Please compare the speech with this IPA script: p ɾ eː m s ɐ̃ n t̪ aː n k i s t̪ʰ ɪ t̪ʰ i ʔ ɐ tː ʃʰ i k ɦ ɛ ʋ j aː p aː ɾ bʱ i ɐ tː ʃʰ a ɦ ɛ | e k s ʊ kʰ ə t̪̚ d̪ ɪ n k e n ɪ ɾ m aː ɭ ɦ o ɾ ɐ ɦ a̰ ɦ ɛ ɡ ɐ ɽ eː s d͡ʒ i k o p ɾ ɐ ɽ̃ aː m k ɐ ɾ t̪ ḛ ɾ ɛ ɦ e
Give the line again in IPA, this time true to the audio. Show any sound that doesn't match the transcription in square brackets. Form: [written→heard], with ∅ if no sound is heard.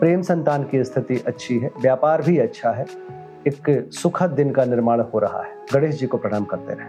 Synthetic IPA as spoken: p ɾ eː m s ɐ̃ n t̪ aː n k i s t̪ʰ ɪ [t̪ʰ→t̪] i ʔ ɐ tː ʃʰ i [k→∅] ɦ ɛ ʋ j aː p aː ɾ bʱ i ɐ tː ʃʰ a ɦ ɛ | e k s ʊ kʰ ə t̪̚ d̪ ɪ n k [e→a] n ɪ ɾ m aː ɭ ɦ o ɾ ɐ ɦ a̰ ɦ ɛ ɡ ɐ ɽ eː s d͡ʒ i k o p ɾ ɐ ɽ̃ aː m k ɐ ɾ t̪ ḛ ɾ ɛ ɦ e